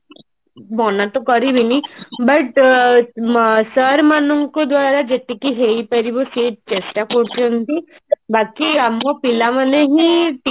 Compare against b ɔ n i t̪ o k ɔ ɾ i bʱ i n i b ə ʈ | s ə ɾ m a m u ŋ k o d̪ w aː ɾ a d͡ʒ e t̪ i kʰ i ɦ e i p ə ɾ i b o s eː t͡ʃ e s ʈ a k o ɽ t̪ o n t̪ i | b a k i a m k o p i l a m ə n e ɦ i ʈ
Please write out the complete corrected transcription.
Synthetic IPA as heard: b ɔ n a t̪ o k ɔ ɾ i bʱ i n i b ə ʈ | s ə ɾ m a n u ŋ k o d̪ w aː ɾ a d͡ʒ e t̪ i k i ɦ e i p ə ɾ i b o s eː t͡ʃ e s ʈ a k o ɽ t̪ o n t̪ i | b a k i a m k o p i l a m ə n e ɦ i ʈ